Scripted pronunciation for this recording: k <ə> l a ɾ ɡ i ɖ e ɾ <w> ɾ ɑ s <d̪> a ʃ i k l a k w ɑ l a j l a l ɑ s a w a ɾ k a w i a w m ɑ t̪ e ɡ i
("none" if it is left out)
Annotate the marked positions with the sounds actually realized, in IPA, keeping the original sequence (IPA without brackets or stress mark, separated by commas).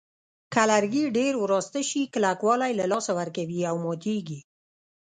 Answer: a, w, t̪